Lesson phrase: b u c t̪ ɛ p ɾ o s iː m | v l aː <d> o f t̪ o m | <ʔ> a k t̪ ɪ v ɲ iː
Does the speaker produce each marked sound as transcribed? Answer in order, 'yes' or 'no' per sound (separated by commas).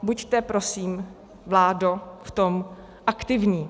yes, yes